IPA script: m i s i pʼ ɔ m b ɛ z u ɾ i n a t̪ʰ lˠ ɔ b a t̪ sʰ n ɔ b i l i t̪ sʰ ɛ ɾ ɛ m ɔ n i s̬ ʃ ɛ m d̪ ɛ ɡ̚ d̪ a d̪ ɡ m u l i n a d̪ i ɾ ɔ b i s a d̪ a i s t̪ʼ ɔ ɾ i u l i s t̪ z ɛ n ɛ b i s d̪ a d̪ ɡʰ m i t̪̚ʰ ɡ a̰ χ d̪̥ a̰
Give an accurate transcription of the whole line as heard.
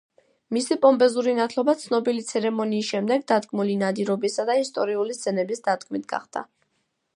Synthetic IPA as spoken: m i s i pʼ ɔ m b ɛ z u ɾ i n a t̪ʰ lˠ ɔ b a t̪ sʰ n ɔ b i l i t̪ sʰ ɛ ɾ ɛ m ɔ n iː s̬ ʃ ɛ m d̪ ɛ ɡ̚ d̪ a d̪ ɡ m u l i n a d̪ i ɾ ɔ b i s a d̪ a i s t̪ʼ ɔ ɾ i u l i s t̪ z ɛ n ɛ b i s d̪ a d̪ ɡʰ m i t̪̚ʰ ɡ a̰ χ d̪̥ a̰